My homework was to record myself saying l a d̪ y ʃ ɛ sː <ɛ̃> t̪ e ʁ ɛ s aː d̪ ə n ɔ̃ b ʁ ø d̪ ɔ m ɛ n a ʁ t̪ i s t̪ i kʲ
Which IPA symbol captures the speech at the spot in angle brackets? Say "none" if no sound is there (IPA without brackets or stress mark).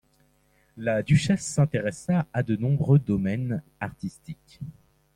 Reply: ɛ̃